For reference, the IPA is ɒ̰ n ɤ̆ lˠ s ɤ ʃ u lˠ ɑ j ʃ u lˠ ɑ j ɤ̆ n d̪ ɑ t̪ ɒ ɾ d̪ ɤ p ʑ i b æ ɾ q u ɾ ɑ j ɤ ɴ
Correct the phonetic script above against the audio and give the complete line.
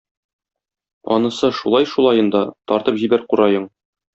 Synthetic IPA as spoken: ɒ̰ n ɤ̆ s ɤ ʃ u lˠ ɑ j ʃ u lˠ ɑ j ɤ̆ n d̪ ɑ t̪ ɒ ɾ t̪ ɤ p ʑ i b æ ɾ q u ɾ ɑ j ɤ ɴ